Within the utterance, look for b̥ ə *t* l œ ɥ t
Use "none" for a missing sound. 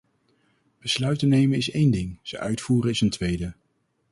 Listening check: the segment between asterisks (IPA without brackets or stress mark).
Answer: s